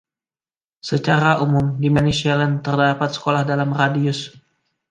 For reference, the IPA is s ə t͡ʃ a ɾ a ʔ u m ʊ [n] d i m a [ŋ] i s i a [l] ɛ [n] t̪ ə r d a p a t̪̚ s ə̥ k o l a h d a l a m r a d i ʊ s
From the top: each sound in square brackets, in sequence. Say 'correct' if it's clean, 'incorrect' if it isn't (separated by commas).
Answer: incorrect, incorrect, correct, correct